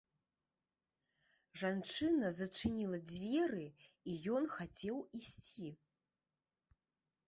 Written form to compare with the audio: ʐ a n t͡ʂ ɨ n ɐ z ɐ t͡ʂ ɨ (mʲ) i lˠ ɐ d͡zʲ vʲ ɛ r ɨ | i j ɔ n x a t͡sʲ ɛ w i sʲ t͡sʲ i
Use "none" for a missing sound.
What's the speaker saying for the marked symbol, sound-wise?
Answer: nʲ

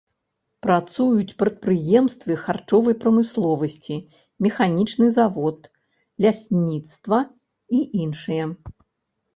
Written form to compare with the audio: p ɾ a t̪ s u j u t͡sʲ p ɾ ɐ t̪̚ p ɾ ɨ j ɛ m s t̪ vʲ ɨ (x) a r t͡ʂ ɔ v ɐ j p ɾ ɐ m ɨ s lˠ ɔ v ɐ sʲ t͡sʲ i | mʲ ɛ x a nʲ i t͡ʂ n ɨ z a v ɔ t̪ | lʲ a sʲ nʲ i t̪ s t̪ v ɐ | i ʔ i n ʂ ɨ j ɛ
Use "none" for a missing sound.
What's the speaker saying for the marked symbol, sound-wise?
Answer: x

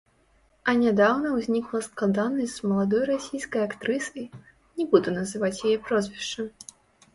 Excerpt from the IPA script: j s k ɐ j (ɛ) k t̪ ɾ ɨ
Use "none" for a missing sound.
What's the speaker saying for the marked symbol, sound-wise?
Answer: a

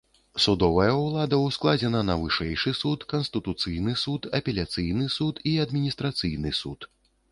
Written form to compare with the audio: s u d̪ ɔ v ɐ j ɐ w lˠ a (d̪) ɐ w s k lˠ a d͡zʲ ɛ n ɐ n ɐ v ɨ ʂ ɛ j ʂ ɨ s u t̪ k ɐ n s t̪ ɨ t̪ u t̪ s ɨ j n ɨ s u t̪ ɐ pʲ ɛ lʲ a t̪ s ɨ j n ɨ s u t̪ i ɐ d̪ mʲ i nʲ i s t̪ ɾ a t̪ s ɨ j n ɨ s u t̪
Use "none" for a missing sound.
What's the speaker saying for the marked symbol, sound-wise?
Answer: d̪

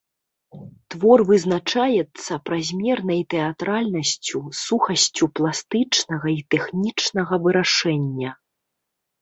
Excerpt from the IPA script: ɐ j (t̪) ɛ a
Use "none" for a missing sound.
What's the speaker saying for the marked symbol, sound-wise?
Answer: t̪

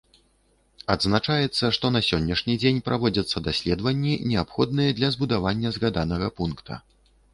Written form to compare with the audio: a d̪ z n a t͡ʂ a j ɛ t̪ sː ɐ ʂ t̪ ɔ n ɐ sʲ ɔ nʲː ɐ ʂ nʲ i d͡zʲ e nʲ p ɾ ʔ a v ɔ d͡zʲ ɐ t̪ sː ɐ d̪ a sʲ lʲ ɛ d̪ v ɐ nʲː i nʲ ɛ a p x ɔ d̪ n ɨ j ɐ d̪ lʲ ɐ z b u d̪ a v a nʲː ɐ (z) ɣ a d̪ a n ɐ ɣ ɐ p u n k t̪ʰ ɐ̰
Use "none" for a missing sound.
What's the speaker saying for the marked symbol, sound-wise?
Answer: z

